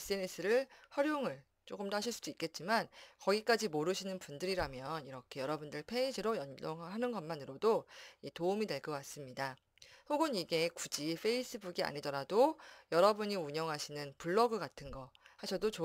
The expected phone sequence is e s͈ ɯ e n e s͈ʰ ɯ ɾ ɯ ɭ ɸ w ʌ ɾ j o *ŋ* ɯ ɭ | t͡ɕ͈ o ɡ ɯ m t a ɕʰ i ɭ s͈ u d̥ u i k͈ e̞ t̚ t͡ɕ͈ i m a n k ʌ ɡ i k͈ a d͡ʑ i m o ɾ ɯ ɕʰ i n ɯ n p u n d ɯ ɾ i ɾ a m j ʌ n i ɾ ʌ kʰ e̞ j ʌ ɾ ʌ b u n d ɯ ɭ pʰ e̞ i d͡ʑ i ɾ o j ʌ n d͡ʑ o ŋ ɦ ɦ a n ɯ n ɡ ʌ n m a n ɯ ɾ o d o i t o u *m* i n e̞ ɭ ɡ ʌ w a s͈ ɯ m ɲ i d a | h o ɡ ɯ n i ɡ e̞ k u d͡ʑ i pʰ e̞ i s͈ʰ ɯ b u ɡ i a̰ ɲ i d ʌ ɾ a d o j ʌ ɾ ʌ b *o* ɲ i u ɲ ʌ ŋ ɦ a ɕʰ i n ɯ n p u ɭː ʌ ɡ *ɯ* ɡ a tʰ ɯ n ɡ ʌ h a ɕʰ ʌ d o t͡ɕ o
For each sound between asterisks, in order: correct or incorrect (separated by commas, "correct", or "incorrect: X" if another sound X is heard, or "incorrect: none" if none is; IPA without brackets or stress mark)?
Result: correct, correct, incorrect: u, correct